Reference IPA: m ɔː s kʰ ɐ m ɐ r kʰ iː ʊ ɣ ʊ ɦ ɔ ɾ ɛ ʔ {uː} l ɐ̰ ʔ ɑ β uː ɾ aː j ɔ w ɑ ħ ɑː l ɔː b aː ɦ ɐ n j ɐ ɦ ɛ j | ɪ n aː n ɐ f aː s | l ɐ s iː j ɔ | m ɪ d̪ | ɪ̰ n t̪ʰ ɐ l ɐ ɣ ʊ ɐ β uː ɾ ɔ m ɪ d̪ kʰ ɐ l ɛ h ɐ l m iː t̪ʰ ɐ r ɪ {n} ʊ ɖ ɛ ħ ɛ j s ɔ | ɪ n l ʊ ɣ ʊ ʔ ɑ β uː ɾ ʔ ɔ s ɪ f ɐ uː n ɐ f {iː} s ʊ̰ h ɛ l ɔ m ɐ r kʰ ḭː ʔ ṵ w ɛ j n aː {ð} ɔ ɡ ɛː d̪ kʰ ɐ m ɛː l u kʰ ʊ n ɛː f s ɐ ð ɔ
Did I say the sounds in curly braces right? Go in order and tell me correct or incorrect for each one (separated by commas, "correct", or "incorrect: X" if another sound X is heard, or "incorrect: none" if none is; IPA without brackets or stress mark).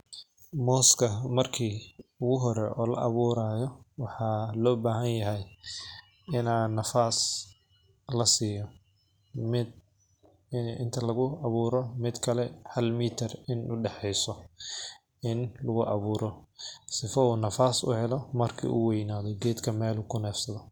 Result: incorrect: ɔː, correct, incorrect: aː, correct